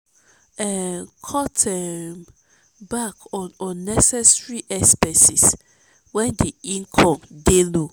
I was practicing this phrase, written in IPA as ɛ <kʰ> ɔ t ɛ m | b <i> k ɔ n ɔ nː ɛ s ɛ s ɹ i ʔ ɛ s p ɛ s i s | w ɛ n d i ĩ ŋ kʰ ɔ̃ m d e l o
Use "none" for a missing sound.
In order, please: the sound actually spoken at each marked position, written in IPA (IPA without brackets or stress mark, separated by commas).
kʰ, a